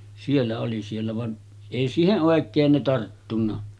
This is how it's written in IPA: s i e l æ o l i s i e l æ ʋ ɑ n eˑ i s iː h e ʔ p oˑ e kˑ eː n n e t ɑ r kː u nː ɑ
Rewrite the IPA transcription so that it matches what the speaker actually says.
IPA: s i e lː æ o l i s i e lː æ ʋ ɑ n eˑ i s iː h e ʔ ʔ oˑ e kˑ eː n n e t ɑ r tː u nː ɑ